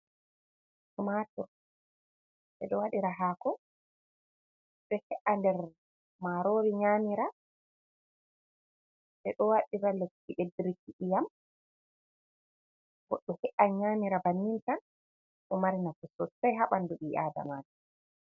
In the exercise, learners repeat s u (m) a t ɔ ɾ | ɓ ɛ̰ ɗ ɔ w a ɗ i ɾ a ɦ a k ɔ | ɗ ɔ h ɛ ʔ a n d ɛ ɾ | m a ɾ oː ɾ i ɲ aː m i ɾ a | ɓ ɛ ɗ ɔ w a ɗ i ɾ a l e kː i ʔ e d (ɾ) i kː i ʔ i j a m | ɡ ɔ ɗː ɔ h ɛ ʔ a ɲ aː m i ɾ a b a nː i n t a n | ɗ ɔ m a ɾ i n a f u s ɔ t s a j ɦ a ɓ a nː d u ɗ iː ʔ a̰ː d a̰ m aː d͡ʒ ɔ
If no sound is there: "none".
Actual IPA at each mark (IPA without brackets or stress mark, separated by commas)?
m, ɾ